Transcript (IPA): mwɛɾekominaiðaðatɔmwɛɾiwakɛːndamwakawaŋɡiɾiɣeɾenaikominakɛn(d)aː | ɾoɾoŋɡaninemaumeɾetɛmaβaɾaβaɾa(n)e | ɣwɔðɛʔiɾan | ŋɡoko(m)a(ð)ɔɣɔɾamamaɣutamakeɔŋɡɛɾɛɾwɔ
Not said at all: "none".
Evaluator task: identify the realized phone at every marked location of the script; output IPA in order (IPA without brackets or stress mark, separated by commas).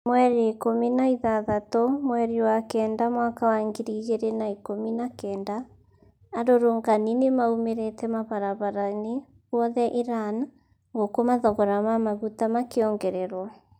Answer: d, n, m, ð